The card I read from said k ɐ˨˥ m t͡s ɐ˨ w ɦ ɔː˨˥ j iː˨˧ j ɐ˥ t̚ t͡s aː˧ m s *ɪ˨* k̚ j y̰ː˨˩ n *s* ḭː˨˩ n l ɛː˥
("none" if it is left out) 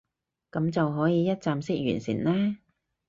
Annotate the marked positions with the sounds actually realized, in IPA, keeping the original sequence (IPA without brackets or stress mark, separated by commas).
ɪ˥, s